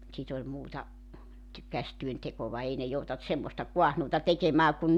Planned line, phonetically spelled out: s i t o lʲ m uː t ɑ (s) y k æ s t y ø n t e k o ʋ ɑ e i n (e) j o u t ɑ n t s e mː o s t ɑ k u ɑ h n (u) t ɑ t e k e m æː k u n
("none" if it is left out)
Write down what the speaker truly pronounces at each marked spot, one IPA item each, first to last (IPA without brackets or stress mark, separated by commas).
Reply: t, e, uː